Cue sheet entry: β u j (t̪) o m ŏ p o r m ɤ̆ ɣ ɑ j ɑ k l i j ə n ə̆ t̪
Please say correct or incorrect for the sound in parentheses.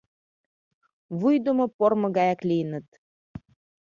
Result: incorrect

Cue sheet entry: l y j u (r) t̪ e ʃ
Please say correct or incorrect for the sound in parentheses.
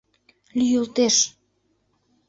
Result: incorrect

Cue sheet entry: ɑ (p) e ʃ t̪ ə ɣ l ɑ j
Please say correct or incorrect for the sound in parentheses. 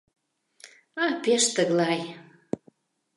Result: correct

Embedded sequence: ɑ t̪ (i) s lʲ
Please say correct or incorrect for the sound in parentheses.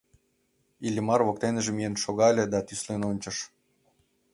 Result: incorrect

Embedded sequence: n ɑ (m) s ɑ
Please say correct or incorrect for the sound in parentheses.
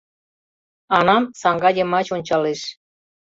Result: correct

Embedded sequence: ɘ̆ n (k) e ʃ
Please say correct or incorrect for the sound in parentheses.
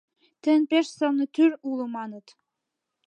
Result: incorrect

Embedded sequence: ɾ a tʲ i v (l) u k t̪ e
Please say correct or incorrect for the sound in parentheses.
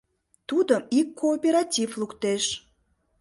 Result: correct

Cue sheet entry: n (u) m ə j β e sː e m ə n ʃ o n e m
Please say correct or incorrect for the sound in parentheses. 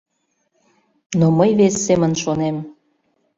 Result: incorrect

